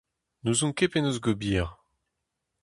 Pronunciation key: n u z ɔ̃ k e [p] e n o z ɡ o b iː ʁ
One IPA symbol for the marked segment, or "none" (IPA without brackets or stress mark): p